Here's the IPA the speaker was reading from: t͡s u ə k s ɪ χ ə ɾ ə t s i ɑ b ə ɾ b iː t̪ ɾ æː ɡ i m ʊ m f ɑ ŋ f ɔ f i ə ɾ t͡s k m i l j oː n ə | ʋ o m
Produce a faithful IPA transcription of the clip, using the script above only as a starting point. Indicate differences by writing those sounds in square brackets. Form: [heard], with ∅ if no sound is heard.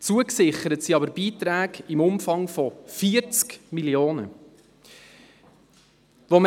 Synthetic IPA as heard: t͡s u ə k s ɪ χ ə ɾ ə t s i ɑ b ə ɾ b iː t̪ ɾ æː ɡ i m ʊ m f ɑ ŋ f ɔ f i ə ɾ t͡s k m i l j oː n ə | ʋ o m